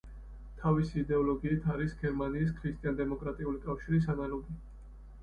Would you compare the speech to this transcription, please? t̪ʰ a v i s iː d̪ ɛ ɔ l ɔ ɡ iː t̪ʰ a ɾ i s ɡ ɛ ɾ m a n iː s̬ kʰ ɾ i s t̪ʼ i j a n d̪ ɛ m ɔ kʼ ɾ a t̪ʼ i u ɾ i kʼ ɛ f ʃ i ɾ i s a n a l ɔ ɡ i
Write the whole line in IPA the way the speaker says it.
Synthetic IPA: t̪ʰ a v i s iː d̪ ɛ ɔ l ɔ ɡ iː t̪ʰ a ɾ i s ɡ ɛ ɾ m a n iː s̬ kʰ ɾ i s t̪ʼ i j a n d̪ ɛ m ɔ kʼ ɾ a t̪ʼ i u l i kʼ a f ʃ i ɾ i s a n a l ɔ ɡ i